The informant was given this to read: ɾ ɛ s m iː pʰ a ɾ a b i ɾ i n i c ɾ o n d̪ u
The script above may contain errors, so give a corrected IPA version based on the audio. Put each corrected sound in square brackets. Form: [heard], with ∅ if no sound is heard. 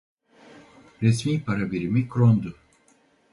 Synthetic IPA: ɾ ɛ s m iː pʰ a ɾ a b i ɾ i [m] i [k] ɾ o n d̪ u